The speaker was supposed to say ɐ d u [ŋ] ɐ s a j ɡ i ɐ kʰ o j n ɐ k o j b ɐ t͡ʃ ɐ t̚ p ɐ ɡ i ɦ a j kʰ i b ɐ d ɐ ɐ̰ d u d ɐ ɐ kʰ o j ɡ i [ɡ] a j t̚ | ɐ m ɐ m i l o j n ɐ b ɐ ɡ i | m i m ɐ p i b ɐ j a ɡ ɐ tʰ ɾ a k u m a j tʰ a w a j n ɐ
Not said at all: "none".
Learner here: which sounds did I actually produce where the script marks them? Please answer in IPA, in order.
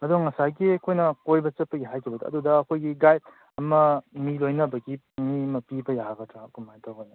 ŋ, ɡ

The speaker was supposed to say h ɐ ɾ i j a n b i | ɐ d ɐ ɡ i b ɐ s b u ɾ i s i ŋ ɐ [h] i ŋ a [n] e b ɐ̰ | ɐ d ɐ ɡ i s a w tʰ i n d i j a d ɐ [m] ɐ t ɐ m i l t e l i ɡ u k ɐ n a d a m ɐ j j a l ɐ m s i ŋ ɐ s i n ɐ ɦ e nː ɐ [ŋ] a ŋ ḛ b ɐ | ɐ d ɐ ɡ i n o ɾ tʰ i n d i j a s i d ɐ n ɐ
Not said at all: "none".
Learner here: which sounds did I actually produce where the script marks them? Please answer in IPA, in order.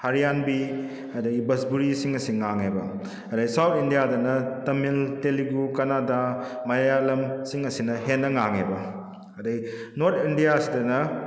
s, ŋ, n, ŋ

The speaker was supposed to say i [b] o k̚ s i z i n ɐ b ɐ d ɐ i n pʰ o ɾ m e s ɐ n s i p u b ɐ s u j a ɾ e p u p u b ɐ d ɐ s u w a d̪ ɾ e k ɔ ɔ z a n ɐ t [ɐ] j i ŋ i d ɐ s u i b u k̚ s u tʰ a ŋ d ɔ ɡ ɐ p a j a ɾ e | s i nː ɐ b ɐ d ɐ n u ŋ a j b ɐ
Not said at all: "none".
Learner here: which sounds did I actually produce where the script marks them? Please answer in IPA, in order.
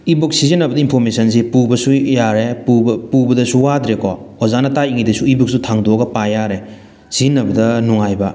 b, a

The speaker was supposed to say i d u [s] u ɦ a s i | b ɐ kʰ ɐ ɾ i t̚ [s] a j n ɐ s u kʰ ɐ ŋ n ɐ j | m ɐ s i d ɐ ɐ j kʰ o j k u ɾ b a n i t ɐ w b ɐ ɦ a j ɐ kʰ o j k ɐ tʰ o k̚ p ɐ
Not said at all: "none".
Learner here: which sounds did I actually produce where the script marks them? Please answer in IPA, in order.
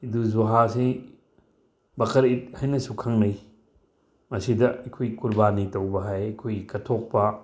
z, h

